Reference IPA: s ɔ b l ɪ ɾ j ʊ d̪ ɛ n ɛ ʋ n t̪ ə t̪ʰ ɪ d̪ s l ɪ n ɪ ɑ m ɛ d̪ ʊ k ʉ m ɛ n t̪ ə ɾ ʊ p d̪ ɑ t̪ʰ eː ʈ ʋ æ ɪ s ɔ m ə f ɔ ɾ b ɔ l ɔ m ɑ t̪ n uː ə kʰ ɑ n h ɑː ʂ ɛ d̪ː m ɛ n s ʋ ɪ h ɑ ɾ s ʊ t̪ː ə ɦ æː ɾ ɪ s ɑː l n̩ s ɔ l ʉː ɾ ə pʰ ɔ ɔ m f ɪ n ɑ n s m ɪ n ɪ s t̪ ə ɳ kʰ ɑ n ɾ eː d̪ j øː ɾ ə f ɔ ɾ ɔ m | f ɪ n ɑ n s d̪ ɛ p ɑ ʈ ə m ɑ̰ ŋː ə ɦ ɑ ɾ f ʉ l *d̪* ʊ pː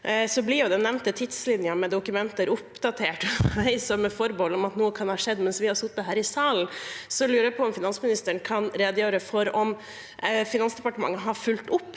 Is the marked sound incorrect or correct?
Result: incorrect